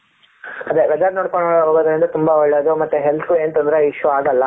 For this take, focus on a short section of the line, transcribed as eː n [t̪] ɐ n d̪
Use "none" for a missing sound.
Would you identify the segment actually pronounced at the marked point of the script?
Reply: t̪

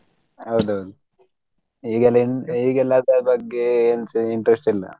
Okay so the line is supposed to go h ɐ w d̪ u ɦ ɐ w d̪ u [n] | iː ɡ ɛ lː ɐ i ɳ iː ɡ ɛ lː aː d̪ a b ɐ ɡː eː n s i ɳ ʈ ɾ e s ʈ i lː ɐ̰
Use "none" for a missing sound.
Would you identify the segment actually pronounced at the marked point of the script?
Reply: none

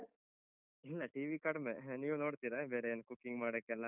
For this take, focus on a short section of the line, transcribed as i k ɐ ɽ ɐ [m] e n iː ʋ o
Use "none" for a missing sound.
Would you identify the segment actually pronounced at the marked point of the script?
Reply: m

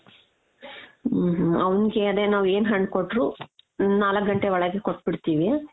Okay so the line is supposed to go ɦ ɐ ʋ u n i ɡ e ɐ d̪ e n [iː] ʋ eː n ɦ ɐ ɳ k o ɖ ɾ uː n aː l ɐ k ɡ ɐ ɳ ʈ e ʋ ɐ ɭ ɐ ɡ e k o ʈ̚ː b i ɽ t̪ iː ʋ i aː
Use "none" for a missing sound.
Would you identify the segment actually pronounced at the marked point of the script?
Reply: aː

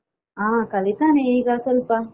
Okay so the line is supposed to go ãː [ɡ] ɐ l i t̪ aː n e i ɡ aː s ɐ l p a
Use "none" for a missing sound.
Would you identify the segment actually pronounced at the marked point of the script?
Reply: k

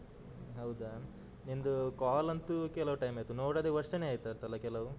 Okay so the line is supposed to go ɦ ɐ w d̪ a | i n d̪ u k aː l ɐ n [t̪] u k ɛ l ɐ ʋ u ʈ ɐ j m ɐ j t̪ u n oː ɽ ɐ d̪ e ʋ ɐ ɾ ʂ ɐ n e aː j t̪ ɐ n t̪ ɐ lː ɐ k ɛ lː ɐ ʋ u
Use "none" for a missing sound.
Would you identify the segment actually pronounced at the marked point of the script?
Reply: t̪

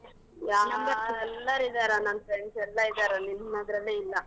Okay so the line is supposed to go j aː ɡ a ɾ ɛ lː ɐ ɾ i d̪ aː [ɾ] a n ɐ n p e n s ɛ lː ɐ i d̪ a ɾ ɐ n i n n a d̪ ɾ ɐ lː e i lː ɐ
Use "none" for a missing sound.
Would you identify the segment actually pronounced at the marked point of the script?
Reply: ɾ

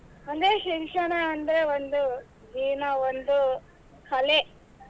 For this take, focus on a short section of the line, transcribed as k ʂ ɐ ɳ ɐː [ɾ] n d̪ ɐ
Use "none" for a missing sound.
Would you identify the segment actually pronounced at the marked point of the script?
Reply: none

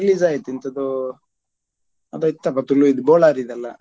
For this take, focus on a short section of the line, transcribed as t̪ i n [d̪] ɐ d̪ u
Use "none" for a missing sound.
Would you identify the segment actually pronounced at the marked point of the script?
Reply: t̪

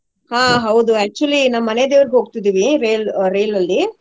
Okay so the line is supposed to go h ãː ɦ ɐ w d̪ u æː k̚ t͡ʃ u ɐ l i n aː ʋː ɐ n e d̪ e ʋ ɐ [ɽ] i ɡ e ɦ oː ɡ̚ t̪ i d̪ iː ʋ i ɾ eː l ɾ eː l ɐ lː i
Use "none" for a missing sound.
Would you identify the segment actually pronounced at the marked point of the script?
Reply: ɾ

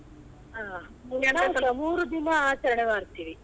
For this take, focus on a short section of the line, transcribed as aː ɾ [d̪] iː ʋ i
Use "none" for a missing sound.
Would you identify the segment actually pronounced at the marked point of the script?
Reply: t̪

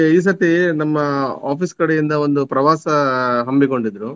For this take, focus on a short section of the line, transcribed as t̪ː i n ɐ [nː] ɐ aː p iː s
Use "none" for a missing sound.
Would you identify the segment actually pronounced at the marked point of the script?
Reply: mː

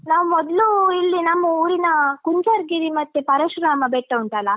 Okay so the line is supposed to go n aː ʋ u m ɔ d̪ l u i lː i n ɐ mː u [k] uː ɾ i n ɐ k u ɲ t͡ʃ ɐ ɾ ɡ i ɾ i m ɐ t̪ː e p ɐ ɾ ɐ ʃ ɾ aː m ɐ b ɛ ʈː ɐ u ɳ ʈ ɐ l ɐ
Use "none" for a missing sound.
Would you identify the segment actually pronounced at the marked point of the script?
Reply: none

